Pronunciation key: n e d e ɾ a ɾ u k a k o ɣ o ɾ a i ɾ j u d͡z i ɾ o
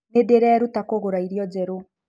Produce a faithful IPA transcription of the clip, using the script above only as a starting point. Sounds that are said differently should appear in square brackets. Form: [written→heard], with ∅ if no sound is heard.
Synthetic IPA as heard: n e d e ɾ [a→ɛ] ɾ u [k→t] a k o ɣ o ɾ a i ɾ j [u→ɔ] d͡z [i→ɛ] ɾ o